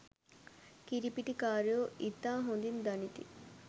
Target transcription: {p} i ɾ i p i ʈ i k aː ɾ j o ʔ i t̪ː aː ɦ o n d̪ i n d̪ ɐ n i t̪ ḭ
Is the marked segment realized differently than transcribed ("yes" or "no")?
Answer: yes